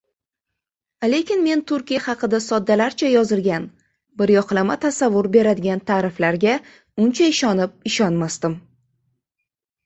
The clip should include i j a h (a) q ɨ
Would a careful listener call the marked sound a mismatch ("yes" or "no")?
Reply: yes